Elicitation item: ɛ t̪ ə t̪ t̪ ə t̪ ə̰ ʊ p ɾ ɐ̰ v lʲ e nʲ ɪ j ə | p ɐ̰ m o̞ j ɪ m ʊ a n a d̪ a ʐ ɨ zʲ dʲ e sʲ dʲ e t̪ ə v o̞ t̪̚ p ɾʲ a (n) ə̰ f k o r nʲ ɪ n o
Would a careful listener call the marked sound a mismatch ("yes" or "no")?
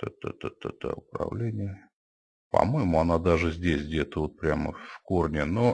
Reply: yes